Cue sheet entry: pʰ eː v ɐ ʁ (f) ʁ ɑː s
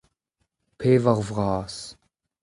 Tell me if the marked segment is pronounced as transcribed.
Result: no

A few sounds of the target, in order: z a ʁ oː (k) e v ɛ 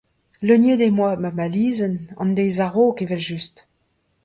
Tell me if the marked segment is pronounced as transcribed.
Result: yes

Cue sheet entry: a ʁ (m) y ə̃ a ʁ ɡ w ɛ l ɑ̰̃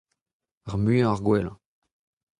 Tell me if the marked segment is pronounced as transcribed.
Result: yes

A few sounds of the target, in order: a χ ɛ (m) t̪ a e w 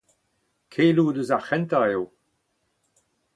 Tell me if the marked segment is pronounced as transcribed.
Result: no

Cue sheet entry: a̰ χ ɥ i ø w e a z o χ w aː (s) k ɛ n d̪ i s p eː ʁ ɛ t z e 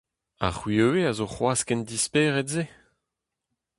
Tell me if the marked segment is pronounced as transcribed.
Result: yes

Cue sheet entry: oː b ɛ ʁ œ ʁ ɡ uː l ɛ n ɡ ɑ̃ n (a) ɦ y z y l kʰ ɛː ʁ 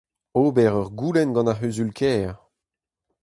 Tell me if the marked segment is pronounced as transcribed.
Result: yes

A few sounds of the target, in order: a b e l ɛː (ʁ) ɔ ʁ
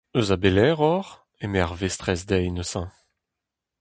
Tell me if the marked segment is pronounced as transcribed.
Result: yes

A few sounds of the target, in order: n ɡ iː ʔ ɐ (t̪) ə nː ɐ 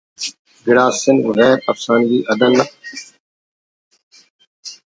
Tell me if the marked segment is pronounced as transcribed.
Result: no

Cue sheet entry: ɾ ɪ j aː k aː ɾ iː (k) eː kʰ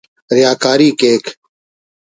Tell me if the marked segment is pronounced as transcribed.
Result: yes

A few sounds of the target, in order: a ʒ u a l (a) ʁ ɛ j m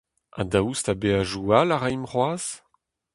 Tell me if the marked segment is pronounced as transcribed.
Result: yes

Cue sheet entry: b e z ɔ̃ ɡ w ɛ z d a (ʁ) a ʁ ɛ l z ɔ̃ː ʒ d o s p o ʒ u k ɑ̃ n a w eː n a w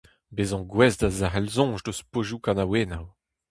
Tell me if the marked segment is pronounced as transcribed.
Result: no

